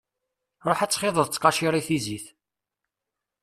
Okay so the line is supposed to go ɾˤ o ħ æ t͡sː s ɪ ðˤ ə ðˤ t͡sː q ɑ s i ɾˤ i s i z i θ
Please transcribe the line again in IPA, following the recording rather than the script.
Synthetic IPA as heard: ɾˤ o ħ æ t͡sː χ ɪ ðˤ ə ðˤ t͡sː q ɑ ʃ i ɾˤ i θ i z i θ